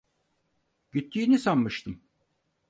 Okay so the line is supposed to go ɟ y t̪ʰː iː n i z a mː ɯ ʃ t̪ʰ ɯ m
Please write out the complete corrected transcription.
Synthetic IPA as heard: ɟ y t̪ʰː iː n i s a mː ɯ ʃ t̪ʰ ɯ m